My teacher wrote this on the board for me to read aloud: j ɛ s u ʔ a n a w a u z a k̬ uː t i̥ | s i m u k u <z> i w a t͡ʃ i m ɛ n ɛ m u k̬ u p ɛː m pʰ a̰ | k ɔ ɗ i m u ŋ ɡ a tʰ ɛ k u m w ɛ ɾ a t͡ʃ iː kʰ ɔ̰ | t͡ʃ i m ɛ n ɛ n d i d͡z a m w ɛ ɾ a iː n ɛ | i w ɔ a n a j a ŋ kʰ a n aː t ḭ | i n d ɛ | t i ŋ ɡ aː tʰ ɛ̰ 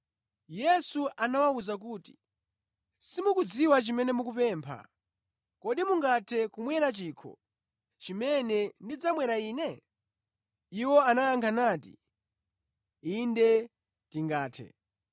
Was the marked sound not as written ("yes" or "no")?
yes